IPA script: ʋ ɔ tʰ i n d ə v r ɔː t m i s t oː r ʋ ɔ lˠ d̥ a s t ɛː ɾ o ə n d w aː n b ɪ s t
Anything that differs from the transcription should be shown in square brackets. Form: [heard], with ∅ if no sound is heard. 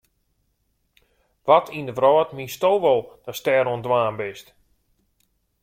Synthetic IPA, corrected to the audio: ʋ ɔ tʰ i n d ə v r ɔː t m i s t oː [∅] ʋ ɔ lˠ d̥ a s t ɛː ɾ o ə n d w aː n b ɪ s t